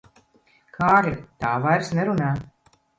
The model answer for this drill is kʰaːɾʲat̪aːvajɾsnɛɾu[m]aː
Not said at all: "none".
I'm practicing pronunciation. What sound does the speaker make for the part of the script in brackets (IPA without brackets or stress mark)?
n